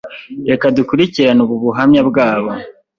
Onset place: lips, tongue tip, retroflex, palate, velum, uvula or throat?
velum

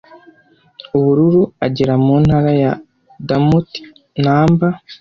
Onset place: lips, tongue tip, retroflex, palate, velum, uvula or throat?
lips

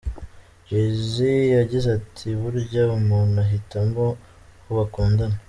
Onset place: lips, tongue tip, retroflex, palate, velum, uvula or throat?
tongue tip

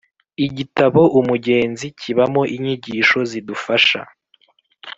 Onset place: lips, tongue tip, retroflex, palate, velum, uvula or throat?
palate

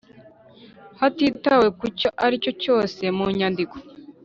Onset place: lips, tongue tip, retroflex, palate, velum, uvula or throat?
throat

